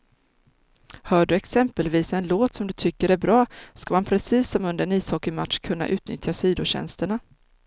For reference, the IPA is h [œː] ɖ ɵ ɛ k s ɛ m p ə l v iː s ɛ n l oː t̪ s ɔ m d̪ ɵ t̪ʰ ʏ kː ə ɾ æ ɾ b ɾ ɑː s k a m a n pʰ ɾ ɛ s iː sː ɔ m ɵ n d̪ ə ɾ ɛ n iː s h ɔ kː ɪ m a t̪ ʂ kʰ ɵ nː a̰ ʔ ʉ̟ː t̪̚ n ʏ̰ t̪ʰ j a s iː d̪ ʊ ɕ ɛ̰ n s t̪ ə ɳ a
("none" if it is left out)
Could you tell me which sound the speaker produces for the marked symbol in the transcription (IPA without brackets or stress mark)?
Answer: œː